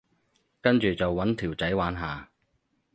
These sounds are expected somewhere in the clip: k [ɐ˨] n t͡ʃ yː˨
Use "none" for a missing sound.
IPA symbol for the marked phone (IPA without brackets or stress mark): ɐ˥